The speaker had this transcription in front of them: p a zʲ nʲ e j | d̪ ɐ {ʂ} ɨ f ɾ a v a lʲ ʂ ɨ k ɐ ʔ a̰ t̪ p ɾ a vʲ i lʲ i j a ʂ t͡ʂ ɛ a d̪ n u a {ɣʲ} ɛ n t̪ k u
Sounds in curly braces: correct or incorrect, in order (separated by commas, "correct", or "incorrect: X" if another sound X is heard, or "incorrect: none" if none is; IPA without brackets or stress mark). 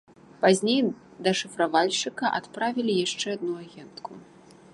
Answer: correct, correct